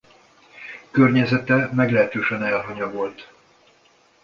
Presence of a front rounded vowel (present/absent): present